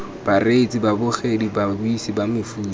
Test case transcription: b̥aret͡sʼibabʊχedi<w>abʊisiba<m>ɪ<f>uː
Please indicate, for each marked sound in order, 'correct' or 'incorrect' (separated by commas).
incorrect, correct, correct